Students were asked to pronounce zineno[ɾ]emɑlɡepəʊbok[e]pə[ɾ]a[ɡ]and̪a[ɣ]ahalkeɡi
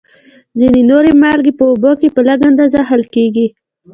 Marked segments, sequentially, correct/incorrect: correct, correct, incorrect: l, correct, incorrect: z

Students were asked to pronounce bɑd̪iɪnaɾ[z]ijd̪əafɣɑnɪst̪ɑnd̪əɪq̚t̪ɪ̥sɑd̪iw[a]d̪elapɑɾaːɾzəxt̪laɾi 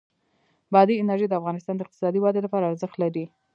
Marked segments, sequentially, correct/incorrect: incorrect: ʒ, incorrect: ɑ

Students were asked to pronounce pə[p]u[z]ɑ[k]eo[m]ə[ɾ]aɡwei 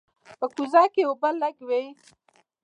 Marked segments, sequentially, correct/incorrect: incorrect: k, correct, correct, incorrect: b, incorrect: l

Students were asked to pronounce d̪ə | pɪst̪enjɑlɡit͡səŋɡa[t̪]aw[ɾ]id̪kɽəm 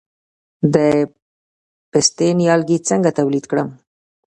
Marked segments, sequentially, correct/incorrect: correct, incorrect: l

